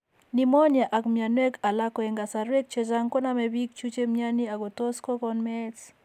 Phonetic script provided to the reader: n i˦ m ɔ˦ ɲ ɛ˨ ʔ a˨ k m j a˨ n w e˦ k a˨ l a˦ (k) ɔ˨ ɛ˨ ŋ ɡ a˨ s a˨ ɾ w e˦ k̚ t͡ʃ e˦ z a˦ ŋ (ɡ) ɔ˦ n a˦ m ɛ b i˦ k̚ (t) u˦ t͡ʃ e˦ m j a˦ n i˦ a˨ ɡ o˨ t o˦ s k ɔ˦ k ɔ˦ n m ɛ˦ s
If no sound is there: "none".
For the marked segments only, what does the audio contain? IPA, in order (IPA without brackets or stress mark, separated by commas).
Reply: k, k, t͡ʃ